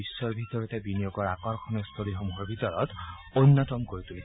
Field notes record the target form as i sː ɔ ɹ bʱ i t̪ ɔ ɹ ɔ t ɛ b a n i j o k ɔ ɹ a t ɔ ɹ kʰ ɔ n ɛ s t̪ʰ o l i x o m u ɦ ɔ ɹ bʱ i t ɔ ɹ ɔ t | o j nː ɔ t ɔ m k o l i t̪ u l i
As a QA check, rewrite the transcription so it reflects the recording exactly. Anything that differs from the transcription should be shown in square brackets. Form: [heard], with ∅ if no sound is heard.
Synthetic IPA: i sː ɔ ɹ bʱ i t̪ ɔ ɹ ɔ t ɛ b [i] n i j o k ɔ ɹ a [k] ɔ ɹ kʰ ɔ n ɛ s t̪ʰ o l i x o m u ɦ ɔ ɹ bʱ i t ɔ ɹ ɔ t | o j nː ɔ t ɔ m k o [ɹ] i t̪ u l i